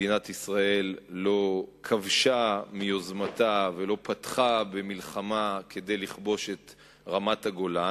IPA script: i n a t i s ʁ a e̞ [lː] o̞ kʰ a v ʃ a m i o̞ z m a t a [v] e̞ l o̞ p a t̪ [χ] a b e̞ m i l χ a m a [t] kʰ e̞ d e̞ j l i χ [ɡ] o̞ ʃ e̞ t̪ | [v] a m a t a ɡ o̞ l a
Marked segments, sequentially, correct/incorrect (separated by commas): correct, correct, correct, incorrect, incorrect, incorrect